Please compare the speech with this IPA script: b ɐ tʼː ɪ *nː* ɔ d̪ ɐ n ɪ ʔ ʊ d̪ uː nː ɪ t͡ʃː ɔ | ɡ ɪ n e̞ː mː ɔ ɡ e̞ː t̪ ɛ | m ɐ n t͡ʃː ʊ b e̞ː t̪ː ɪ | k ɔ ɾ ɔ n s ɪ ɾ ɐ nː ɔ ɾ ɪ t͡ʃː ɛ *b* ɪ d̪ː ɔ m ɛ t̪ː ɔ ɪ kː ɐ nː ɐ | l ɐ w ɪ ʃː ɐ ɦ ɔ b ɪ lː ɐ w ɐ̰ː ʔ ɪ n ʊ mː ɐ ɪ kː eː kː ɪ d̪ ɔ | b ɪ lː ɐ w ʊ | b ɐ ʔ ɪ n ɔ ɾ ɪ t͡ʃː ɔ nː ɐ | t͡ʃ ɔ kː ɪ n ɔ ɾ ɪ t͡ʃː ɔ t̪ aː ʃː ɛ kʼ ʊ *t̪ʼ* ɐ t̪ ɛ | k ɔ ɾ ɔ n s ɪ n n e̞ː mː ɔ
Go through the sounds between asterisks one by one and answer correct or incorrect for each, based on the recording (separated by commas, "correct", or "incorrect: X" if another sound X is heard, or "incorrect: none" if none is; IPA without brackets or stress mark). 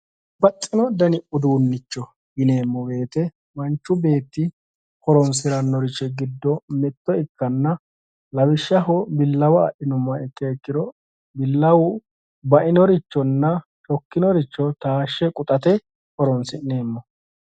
incorrect: n, incorrect: ɡ, correct